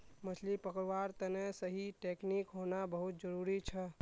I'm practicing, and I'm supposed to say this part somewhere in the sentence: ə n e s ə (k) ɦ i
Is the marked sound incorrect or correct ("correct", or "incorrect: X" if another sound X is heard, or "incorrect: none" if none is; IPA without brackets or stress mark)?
incorrect: none